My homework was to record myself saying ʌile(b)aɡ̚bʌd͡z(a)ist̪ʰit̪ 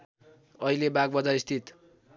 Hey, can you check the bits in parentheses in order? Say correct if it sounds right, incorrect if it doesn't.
correct, correct

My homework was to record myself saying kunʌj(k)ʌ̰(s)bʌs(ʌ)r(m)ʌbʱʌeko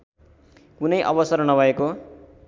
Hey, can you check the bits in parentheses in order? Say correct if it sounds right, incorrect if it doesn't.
incorrect: ʔ, incorrect: none, correct, incorrect: n

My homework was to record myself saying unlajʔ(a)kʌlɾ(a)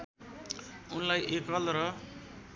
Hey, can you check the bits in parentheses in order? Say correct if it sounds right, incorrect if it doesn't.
incorrect: e, incorrect: ʌ

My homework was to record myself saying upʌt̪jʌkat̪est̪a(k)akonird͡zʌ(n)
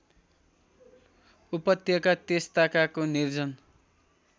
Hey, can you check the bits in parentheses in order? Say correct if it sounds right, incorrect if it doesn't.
correct, correct

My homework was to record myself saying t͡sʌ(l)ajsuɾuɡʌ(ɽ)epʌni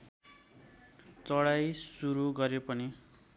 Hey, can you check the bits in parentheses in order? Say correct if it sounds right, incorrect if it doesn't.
incorrect: ɽ, incorrect: ɾ

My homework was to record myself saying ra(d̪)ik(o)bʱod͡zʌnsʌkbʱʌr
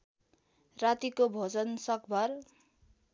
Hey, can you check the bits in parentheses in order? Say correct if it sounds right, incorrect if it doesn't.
incorrect: t̪, correct

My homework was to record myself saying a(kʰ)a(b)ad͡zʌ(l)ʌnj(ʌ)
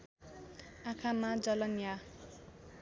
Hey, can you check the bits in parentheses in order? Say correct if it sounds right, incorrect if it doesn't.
correct, incorrect: m, correct, incorrect: a

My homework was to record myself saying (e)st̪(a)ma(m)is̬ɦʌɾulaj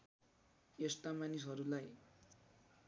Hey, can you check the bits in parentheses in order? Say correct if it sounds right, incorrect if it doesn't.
correct, correct, incorrect: n

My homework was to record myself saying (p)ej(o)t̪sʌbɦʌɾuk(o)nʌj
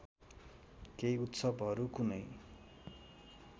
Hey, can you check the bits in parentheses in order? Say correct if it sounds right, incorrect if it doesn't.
incorrect: k, incorrect: u, incorrect: u

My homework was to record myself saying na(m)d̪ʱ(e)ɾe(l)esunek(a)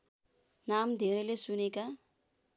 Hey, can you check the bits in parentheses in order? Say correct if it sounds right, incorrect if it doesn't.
correct, correct, correct, correct

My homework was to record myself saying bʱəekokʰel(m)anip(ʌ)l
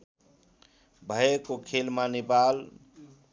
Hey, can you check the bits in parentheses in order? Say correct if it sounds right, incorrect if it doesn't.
correct, incorrect: a

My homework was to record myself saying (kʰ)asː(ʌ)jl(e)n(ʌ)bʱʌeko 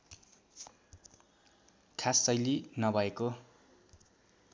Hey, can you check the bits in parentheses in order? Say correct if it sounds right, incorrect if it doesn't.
correct, correct, incorrect: i, correct

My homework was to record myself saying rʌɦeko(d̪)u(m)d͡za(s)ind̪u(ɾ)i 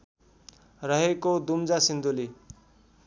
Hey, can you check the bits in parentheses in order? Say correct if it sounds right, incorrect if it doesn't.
correct, correct, correct, incorrect: l

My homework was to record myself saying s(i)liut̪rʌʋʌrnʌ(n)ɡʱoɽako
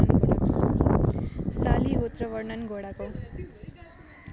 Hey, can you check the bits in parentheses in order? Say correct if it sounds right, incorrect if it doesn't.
incorrect: a, correct

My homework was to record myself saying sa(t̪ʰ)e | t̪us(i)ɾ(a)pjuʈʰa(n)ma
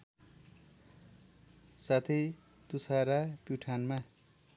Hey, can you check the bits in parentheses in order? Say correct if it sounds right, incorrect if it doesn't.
correct, incorrect: a, correct, correct

